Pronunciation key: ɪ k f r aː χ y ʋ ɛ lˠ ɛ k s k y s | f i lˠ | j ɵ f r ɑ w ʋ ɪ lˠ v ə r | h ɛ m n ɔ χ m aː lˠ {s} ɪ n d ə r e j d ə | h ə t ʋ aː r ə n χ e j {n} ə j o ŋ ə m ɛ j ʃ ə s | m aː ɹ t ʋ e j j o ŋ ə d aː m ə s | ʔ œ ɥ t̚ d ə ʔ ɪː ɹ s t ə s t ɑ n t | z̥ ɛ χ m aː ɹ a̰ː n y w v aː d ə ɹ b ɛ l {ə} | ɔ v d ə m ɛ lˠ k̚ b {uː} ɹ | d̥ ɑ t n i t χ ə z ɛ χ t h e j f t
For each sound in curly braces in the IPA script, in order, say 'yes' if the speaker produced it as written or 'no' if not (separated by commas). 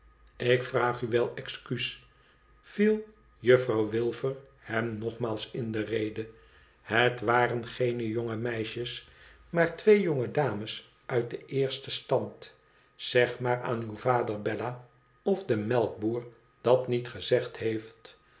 yes, yes, no, yes